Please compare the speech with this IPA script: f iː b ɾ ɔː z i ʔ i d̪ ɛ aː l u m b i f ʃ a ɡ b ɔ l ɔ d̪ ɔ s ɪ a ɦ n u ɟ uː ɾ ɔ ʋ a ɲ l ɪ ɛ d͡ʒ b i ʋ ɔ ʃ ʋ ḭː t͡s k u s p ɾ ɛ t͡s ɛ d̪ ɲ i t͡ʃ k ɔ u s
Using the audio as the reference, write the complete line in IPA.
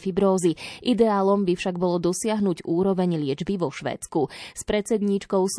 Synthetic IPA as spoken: f i b ɾ ɔː z i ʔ i d̪ ɛ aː l ɔ m b i f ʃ a ɡ b ɔ l ɔ d̪ ɔ s ɪ a ɦ n u ɟ uː ɾ ɔ ʋ ɛ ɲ l ɪ ɛ d͡ʒ b i ʋ ɔ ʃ ʋ ɛ̰ː t͡s k u s p ɾ ɛ t͡s ɛ d̪ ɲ i t͡ʃ k ɔ ʊ s